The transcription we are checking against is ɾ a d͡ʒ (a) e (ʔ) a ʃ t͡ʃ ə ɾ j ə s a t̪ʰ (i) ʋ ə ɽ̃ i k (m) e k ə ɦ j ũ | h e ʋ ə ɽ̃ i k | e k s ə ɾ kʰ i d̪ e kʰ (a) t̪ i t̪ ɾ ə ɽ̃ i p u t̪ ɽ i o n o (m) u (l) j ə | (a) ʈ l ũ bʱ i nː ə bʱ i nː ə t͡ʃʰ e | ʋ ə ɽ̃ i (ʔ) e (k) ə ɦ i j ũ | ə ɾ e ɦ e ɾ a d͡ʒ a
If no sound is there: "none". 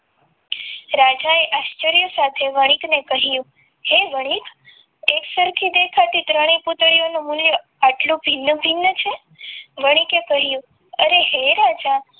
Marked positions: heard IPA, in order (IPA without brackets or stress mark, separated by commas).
a, ʔ, e, n, a, m, l, a, k, k